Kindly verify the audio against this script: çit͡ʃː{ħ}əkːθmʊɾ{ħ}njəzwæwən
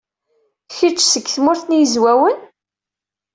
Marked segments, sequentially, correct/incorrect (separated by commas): incorrect, incorrect